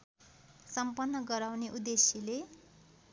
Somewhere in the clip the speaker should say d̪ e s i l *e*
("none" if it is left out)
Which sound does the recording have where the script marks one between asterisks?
e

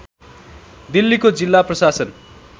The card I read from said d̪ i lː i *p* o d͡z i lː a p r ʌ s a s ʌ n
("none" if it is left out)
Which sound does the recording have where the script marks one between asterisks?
k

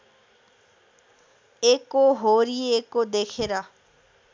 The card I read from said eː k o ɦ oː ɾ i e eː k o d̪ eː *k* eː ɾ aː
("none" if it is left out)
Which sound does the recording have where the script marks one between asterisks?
kʰ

